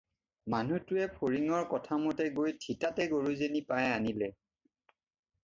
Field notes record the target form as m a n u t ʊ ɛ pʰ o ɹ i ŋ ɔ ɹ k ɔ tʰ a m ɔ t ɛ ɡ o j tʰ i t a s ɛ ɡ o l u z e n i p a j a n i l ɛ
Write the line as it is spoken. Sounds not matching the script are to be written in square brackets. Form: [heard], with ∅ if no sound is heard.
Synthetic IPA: m a n u t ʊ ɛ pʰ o ɹ i ŋ ɔ ɹ k ɔ tʰ a m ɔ t ɛ ɡ o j tʰ i t a [t] ɛ ɡ o [ɹ] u z e n i p a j a n i l ɛ